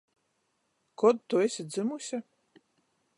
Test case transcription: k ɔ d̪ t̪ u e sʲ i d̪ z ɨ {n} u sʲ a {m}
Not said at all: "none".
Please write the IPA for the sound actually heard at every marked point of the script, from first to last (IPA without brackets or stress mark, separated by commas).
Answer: m, none